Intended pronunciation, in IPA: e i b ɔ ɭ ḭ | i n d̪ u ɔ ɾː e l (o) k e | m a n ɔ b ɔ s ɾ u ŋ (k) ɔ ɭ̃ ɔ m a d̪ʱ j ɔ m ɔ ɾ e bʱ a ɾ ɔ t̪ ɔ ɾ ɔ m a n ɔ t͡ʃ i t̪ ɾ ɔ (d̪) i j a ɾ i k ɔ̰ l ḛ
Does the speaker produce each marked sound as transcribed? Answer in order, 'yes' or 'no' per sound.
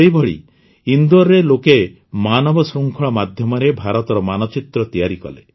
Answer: yes, no, no

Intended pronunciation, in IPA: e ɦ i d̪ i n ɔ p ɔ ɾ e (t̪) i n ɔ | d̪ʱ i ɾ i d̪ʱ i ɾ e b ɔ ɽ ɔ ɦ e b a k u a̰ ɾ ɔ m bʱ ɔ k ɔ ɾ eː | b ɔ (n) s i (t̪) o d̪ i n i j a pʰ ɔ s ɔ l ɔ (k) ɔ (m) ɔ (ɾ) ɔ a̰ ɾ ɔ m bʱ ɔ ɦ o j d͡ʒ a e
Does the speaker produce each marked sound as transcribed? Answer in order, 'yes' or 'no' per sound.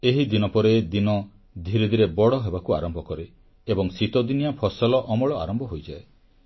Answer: no, no, yes, no, yes, no

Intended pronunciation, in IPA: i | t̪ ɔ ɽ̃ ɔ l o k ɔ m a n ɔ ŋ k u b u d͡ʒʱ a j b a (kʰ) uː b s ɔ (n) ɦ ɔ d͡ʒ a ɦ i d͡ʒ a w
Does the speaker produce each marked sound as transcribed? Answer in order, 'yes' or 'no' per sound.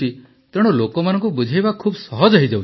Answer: yes, no

